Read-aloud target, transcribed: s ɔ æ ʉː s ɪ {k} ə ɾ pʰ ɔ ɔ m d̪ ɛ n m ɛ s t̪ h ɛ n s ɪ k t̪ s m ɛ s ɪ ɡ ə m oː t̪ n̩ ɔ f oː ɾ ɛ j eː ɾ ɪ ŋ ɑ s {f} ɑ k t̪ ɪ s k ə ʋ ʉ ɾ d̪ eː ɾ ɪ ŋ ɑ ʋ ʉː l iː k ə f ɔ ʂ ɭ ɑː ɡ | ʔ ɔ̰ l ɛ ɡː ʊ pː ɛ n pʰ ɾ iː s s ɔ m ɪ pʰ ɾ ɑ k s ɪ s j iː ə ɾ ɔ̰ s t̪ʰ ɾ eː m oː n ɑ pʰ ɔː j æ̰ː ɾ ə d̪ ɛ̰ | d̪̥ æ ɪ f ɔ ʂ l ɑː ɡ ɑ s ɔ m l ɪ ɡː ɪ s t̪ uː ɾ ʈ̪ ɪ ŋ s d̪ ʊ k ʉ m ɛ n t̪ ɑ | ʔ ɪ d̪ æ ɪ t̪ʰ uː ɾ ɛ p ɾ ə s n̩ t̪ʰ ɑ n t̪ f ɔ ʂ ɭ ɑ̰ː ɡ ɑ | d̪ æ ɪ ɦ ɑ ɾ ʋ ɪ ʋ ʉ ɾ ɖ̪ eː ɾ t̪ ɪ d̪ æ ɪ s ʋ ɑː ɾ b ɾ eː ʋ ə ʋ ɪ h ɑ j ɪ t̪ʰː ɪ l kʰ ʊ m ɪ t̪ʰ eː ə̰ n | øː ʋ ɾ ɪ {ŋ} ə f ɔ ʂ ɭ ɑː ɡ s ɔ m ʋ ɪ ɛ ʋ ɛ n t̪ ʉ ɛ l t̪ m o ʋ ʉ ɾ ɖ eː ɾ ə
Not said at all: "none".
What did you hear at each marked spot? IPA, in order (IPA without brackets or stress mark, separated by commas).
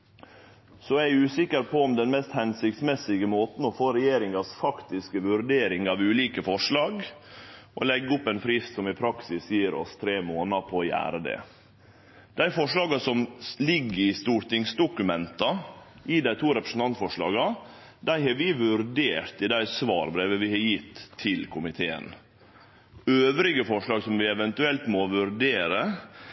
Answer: k, f, ɡ